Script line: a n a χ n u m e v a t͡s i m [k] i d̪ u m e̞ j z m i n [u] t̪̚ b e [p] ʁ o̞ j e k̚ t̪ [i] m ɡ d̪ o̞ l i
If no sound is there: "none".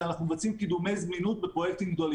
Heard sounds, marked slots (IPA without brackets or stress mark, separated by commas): k, u, p, i